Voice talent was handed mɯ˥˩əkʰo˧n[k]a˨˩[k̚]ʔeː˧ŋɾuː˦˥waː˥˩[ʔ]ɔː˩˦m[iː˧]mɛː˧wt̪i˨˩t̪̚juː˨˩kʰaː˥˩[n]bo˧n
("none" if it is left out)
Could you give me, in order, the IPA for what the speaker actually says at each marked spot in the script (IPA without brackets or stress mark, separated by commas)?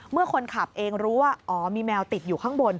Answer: kʰ, p̚, ʔ, iː˧, ŋ